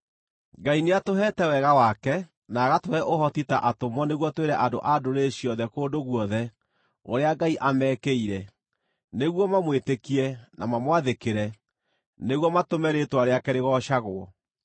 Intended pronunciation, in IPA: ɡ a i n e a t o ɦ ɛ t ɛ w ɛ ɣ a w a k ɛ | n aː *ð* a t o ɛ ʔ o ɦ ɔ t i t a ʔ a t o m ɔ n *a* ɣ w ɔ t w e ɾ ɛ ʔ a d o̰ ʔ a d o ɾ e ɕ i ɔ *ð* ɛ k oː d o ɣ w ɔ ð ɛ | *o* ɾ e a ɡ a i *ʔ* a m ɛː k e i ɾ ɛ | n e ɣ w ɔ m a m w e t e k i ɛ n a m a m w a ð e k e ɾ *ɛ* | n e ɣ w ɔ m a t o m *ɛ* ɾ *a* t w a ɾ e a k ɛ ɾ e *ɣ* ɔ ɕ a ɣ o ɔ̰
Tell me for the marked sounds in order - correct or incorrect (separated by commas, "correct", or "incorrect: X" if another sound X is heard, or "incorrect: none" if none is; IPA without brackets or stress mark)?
incorrect: ɣ, incorrect: e, correct, correct, correct, correct, correct, incorrect: e, correct